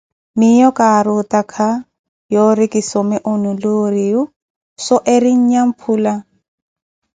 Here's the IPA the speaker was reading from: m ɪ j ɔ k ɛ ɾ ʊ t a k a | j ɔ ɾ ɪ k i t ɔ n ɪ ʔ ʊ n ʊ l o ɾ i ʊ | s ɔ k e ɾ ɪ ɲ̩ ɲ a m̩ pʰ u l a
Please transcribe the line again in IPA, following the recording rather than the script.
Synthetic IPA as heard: m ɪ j ɔ k a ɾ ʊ t a kʰ a | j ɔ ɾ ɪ k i s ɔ m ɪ ʔ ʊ n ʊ l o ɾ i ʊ | s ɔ ʔ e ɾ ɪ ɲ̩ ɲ a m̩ pʰ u l a